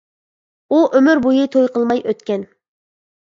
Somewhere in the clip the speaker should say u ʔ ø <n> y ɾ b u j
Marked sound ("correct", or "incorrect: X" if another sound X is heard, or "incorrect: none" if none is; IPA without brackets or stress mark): incorrect: m